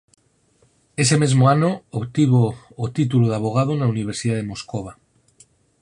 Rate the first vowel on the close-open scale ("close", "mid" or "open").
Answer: mid